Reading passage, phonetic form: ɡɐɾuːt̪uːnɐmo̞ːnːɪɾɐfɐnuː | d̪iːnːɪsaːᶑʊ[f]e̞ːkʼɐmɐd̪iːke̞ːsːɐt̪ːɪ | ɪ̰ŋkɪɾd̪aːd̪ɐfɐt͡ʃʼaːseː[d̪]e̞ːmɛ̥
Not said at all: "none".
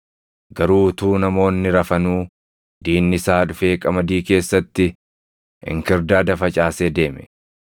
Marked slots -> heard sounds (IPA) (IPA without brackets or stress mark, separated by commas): f, d̪